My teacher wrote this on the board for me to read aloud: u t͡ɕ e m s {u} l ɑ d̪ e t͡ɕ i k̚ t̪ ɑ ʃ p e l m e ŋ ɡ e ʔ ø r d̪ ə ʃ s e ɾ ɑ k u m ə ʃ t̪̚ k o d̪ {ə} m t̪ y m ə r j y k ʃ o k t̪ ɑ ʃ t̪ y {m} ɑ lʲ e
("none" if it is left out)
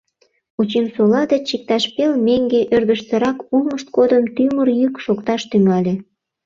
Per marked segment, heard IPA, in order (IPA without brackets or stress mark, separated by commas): o, ə, ŋ